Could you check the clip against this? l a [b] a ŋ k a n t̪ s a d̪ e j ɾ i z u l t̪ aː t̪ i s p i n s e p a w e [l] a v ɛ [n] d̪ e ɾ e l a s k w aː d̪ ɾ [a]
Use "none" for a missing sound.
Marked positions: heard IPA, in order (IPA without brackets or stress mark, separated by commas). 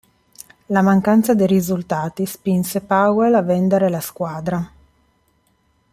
m, l, n, a